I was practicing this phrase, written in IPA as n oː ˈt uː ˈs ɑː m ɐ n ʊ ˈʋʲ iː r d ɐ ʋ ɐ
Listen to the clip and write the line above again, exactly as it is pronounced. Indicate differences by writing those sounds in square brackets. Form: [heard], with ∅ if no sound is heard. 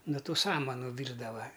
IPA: n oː ˈt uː ˈs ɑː m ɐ n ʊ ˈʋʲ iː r d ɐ ʋ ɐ

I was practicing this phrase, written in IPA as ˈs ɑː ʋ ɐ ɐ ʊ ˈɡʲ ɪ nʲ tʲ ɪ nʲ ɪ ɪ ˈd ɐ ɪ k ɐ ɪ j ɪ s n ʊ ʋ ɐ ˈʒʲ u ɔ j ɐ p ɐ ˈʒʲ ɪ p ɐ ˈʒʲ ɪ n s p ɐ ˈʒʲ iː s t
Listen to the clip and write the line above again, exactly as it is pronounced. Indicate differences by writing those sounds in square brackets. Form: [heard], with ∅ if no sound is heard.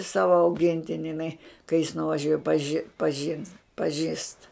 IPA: ˈs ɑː ʋ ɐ ɐ ʊ ˈɡʲ ɪ nʲ tʲ ɪ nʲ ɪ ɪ [ˈn] ɐ ɪ k ɐ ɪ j ɪ s n ʊ ʋ ɐ ˈʒʲ u ɔ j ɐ p ɐ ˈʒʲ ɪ p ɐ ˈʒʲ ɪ n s p ɐ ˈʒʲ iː s t

